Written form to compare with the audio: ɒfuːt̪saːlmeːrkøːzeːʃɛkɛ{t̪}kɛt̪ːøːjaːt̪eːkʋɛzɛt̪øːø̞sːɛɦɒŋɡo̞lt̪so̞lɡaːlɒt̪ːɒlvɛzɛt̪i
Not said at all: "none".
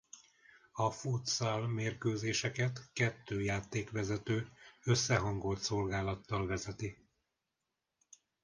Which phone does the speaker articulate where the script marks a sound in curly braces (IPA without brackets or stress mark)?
t̪